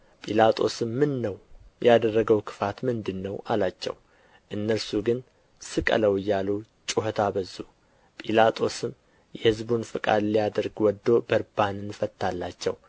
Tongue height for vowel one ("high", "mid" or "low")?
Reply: high